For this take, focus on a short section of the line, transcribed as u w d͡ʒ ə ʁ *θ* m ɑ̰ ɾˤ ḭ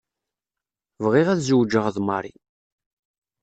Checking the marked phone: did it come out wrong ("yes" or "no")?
yes